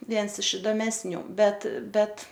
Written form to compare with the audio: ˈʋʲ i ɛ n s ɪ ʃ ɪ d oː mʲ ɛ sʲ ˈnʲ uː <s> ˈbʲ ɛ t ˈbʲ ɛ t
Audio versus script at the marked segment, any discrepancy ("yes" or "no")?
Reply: yes